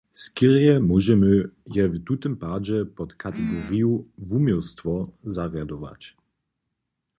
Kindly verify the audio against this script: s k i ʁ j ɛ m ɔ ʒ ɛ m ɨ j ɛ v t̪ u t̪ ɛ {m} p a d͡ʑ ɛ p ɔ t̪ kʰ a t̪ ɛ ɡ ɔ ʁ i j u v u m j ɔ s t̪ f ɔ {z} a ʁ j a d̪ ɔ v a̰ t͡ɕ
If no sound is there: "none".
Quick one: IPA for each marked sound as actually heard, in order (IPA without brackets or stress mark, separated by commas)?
m, z